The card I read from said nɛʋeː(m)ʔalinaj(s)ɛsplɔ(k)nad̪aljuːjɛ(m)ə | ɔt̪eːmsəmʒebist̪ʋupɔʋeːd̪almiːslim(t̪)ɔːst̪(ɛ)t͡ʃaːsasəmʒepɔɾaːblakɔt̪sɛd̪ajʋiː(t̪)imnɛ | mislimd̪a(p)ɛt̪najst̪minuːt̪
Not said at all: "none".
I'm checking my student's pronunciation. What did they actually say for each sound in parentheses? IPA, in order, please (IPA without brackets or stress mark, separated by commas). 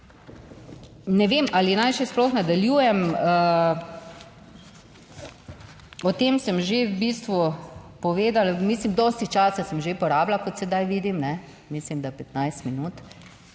m, ʃ, x, m, d̪, i, d̪, p